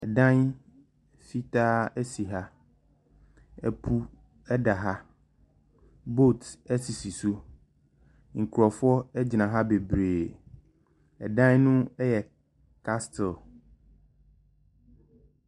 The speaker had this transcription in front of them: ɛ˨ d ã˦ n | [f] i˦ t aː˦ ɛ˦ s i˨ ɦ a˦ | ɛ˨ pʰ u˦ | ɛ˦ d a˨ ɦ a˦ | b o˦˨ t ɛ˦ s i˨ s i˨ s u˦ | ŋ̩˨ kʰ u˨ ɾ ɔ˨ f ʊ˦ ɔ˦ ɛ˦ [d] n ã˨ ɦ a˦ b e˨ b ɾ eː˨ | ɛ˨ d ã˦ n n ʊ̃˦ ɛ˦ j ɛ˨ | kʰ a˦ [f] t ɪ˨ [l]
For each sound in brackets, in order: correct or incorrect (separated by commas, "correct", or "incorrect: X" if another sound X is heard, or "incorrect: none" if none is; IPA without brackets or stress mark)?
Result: correct, incorrect: d͡ʑ, incorrect: s, correct